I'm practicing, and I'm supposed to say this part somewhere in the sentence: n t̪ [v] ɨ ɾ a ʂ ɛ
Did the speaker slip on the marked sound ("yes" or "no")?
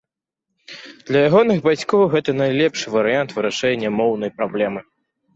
no